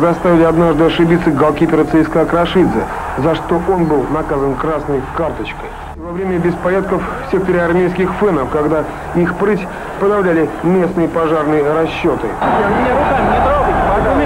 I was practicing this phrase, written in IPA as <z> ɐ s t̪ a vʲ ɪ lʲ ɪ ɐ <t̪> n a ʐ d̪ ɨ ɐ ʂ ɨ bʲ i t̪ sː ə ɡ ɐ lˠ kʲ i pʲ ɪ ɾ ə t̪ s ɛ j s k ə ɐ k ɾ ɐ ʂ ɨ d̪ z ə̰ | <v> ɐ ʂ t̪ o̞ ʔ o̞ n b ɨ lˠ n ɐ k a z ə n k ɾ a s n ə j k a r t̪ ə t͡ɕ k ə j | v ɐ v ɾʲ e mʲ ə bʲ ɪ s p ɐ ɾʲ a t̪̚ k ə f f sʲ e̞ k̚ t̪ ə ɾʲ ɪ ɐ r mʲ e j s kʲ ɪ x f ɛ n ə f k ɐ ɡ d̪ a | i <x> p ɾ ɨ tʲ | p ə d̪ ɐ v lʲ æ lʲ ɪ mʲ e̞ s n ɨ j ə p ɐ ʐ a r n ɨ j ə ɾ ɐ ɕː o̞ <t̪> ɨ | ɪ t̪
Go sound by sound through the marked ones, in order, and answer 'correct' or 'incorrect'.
correct, incorrect: d̪, incorrect: z, correct, correct

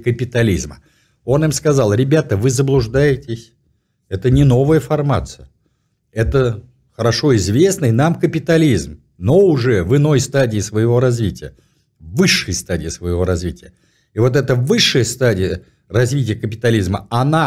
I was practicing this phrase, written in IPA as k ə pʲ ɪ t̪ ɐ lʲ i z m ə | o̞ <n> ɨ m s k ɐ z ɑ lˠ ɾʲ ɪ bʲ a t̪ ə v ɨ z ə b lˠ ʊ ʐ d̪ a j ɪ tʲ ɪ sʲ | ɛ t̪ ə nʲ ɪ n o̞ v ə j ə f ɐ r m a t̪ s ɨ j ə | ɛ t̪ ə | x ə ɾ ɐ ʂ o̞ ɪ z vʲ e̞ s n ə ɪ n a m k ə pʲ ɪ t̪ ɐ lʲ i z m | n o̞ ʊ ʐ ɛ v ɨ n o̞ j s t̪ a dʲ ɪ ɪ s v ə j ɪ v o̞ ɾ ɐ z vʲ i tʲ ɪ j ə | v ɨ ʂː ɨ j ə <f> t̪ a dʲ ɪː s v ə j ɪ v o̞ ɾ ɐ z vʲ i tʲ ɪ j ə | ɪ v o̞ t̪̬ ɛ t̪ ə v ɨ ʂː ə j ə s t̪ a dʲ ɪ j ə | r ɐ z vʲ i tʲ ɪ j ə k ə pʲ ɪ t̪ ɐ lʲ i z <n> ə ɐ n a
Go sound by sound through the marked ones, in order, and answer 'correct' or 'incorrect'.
correct, incorrect: s, incorrect: m

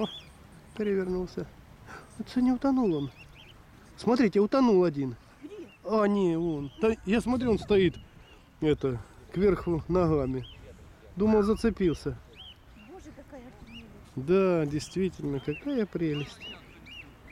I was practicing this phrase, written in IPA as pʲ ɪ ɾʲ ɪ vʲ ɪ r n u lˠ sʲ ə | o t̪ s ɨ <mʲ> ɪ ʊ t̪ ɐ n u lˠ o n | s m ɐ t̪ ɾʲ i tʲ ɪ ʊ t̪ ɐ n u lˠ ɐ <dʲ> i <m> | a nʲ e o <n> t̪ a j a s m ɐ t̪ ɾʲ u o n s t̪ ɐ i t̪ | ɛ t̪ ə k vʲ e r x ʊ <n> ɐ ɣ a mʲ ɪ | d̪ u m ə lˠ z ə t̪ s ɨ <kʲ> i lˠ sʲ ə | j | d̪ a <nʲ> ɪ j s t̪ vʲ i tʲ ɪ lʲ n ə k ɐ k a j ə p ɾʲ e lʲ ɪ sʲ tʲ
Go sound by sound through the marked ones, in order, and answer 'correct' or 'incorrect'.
incorrect: nʲ, correct, incorrect: n, correct, correct, incorrect: pʲ, incorrect: dʲ

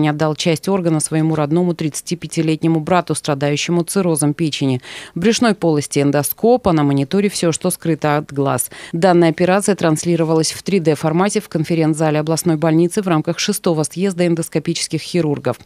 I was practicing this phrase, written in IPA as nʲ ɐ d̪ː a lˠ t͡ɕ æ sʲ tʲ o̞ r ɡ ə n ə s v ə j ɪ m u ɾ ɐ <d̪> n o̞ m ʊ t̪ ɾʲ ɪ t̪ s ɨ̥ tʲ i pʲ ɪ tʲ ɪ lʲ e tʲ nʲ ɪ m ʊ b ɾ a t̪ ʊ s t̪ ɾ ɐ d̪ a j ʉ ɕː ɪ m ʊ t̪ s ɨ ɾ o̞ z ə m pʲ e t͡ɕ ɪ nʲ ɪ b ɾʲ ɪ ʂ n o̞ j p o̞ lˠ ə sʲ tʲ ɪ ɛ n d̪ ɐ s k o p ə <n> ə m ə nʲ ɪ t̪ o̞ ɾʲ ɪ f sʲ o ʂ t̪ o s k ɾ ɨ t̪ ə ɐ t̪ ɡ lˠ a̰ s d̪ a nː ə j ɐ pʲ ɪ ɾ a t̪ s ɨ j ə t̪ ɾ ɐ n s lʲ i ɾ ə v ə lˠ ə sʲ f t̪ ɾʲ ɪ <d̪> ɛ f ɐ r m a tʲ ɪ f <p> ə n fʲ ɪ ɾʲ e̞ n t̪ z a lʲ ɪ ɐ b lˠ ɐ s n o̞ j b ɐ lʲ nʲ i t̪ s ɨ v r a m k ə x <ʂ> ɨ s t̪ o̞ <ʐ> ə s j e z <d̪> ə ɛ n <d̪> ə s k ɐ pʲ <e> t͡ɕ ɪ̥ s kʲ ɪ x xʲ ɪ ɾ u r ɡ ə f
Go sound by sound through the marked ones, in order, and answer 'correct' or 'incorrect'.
correct, correct, correct, incorrect: k, correct, incorrect: v, correct, correct, incorrect: i

